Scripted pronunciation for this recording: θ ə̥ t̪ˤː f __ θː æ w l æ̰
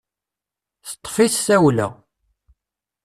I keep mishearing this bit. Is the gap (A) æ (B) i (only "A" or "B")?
B